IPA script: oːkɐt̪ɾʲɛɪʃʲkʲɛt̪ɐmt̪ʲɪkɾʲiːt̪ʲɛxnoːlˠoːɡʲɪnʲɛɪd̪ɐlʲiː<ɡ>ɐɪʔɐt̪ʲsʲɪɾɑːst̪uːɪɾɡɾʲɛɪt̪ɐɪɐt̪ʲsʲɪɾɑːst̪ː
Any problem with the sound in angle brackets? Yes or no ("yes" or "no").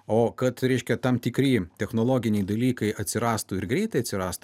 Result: yes